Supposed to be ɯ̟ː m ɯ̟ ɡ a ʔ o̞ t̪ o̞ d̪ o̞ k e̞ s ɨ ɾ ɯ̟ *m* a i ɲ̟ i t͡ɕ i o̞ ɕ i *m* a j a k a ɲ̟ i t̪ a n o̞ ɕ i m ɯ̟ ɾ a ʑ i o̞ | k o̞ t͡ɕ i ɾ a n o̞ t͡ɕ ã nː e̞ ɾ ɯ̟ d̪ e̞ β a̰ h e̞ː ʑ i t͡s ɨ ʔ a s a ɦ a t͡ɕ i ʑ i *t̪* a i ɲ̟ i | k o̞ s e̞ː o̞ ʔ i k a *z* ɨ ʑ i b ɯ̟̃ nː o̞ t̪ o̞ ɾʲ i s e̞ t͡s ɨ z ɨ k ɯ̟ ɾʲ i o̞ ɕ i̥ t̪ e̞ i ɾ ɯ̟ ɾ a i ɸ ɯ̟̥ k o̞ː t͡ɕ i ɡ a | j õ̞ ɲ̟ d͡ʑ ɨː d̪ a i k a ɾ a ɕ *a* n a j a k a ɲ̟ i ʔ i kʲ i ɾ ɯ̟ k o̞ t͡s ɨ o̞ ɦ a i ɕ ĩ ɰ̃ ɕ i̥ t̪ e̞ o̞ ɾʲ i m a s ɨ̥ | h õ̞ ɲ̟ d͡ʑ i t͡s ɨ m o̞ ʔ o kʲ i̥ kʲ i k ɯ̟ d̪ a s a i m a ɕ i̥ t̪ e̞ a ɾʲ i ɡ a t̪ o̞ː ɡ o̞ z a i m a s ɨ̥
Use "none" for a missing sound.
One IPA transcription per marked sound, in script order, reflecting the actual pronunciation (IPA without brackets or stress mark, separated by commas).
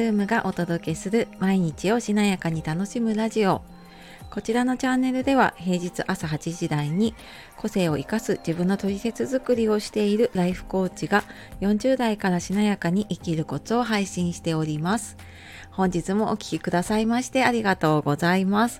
m, n, d̪, s, i